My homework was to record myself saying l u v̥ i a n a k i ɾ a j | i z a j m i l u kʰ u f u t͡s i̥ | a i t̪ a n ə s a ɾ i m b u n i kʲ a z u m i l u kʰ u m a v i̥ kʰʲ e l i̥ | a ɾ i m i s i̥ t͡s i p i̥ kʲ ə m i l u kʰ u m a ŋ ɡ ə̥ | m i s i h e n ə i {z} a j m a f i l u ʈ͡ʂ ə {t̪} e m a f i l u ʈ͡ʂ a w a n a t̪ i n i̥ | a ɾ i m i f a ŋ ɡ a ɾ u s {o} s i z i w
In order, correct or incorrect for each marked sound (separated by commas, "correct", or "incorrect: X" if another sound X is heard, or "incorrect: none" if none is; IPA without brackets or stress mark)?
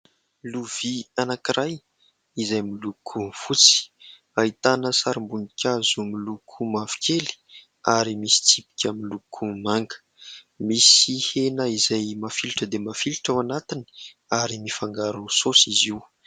correct, incorrect: d̪, correct